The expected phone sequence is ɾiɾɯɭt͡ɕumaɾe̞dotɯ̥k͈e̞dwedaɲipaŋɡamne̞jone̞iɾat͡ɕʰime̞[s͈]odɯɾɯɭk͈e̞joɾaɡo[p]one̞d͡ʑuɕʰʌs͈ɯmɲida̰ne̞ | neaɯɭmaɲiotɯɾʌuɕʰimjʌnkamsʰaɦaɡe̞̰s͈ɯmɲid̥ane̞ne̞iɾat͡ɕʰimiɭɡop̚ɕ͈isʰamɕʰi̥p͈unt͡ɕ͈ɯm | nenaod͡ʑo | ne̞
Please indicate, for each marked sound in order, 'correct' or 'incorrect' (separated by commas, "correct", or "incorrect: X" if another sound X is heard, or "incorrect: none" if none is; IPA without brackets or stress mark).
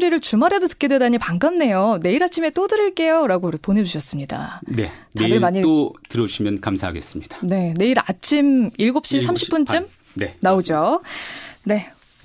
incorrect: t͈, correct